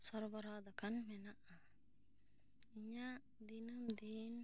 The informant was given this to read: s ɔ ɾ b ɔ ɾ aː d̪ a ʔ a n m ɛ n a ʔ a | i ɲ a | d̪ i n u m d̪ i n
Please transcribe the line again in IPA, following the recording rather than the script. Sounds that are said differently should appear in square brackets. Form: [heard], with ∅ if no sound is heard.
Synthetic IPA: s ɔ ɾ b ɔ ɾ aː d̪ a [k] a n m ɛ n a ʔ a | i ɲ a | d̪ i n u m d̪ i n